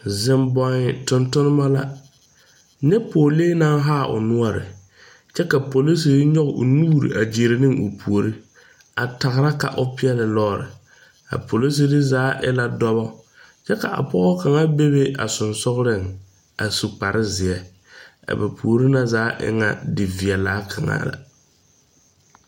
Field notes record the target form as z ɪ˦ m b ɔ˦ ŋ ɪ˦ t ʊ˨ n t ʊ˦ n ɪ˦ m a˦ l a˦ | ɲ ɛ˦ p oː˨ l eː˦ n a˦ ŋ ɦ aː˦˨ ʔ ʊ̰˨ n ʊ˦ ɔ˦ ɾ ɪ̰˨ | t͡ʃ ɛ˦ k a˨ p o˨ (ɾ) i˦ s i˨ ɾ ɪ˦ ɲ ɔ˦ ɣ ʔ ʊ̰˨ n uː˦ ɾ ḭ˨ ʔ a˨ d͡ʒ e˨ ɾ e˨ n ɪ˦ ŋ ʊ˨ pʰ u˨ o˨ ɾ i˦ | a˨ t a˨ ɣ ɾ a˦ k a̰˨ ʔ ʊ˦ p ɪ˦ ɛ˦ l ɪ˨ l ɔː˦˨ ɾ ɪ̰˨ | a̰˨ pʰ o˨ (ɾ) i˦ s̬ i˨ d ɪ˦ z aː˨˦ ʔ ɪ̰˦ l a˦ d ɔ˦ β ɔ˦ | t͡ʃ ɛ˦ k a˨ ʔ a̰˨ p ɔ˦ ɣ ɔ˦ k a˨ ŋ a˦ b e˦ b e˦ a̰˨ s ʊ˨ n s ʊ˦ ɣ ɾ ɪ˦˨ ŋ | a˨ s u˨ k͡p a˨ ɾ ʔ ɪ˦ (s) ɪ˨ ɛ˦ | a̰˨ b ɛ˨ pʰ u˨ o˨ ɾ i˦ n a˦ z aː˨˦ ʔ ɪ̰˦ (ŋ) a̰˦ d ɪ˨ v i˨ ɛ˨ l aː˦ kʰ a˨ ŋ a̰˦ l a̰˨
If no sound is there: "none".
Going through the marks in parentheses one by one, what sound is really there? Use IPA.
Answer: l, l, z, ŋ

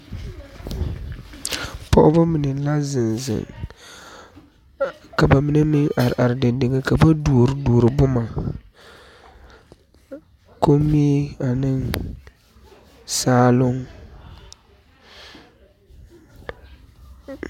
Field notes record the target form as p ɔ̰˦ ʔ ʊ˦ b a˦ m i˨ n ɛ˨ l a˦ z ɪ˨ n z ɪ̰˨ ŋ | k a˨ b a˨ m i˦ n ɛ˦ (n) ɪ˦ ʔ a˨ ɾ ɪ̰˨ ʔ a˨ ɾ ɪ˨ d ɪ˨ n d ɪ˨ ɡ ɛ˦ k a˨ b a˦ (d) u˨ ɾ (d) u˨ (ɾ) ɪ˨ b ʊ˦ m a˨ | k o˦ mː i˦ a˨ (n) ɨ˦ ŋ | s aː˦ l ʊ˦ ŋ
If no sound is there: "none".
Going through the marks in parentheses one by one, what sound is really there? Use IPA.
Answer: m, d, d, ɾ, n

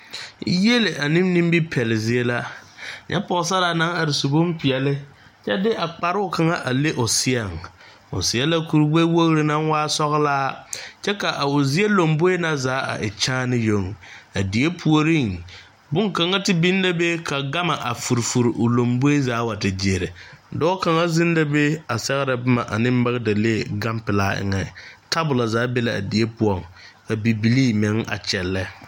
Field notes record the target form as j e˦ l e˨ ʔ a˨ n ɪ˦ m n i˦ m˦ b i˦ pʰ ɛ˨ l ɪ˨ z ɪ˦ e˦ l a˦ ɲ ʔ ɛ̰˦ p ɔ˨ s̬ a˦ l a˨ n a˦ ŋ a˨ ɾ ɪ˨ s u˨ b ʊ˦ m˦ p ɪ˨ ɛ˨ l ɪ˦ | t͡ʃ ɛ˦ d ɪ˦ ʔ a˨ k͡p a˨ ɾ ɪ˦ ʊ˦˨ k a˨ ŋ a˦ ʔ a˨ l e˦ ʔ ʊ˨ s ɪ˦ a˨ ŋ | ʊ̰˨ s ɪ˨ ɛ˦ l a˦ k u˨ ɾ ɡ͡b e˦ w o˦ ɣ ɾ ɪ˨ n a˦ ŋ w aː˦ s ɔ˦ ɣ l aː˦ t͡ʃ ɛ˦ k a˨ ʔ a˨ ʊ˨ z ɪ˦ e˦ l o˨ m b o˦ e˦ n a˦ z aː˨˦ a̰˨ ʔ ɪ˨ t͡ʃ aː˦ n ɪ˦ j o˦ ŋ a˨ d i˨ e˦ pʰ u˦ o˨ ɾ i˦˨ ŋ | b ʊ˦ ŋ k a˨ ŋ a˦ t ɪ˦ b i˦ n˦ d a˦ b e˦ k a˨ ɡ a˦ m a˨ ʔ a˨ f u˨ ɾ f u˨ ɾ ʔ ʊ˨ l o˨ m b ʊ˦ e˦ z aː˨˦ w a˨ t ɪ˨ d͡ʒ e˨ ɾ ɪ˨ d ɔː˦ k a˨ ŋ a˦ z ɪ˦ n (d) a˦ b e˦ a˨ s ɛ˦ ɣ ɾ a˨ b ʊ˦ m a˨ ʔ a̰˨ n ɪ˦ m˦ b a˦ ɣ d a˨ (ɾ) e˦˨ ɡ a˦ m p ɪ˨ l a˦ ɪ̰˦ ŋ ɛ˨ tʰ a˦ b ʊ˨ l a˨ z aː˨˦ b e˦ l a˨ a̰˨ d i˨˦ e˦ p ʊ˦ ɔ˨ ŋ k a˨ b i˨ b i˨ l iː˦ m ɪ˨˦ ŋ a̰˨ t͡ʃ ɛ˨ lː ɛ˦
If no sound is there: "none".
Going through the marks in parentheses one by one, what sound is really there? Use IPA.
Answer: d, l

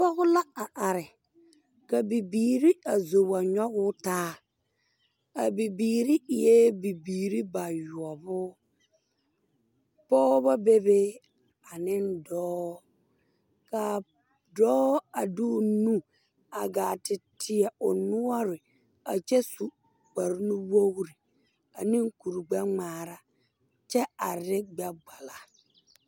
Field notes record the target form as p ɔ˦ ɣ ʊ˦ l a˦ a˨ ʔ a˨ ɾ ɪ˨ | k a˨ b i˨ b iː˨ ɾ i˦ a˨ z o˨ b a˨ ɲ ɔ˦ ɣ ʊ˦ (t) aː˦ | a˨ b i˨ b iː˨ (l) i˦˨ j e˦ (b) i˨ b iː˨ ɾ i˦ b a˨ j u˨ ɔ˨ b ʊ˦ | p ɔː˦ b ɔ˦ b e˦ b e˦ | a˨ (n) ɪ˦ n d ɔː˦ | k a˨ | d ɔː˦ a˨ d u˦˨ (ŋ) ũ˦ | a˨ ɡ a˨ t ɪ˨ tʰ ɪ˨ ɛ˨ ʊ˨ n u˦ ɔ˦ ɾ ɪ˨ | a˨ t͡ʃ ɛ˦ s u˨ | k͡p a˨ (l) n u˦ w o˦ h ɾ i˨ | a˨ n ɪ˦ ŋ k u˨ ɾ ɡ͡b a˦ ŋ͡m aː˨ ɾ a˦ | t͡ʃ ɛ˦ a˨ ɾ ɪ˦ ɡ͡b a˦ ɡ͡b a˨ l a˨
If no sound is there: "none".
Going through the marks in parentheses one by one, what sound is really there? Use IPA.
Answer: t, ɾ, b, n, n, ɾ

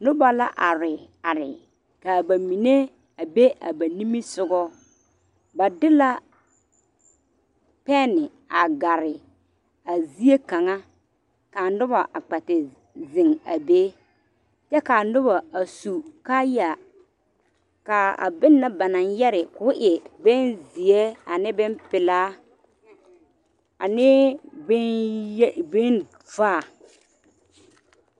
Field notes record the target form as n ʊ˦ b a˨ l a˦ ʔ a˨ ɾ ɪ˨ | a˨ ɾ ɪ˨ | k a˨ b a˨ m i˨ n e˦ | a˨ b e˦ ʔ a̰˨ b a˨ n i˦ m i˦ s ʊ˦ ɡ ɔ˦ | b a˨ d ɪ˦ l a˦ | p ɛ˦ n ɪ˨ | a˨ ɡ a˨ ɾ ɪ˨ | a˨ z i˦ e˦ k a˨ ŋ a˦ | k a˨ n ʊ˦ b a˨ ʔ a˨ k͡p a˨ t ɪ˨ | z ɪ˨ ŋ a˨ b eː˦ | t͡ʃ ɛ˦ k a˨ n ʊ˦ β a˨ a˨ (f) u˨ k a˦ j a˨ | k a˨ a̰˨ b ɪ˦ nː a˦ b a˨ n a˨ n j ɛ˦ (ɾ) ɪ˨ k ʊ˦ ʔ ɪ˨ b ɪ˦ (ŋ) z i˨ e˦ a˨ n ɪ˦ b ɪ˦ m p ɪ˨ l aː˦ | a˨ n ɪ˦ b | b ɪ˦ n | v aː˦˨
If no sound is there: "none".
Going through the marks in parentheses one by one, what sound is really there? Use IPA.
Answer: s, ɾ, n

